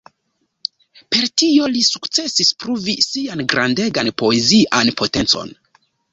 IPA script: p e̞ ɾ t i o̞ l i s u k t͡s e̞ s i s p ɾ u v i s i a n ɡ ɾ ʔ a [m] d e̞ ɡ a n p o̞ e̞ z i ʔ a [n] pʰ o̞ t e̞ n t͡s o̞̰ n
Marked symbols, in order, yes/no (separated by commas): no, yes